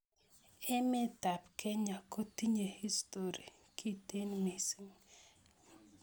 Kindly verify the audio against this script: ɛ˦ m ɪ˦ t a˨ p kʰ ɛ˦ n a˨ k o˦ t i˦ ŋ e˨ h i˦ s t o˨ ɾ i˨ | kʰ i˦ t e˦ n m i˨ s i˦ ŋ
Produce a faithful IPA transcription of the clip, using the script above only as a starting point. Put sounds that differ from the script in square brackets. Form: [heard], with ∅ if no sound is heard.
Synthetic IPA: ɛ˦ m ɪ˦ t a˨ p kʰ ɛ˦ [ɲ] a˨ k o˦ t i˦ [ɲ] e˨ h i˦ s t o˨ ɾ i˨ | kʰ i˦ t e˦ n m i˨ s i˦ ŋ